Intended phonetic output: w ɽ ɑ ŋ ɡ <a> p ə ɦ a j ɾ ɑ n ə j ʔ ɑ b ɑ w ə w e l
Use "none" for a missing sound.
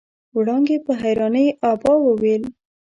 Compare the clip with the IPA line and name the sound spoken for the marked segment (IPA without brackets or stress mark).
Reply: e